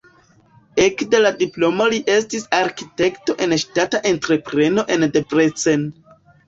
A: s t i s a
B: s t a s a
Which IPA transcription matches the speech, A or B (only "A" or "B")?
A